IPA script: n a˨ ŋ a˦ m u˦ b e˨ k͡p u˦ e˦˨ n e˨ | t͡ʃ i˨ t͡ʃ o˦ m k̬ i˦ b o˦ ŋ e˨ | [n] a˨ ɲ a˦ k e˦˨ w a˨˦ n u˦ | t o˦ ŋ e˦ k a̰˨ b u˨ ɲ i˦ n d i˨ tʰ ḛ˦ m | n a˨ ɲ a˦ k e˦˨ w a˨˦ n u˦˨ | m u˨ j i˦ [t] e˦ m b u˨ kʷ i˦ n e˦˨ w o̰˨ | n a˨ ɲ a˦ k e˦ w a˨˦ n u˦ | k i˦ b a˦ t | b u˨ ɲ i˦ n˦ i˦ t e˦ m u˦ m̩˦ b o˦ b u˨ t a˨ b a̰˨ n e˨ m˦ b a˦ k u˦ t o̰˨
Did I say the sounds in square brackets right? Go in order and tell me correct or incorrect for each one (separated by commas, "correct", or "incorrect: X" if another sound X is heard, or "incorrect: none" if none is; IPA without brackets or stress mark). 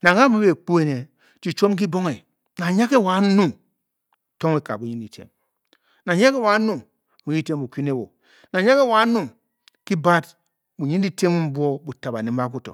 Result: correct, correct